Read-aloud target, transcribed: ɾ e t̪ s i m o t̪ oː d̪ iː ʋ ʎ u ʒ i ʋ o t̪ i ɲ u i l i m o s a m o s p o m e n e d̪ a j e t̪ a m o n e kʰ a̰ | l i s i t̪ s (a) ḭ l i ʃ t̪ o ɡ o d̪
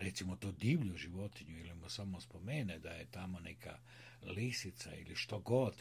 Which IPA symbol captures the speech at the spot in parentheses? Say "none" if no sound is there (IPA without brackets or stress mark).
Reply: a